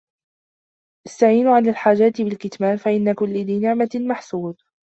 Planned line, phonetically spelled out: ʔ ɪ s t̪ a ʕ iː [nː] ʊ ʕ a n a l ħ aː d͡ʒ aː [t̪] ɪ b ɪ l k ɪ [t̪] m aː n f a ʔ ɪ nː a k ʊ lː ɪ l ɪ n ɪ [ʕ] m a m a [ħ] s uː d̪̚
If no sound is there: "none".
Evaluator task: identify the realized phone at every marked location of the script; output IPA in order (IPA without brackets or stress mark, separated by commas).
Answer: n, t̪, t̪, ʕ, ħ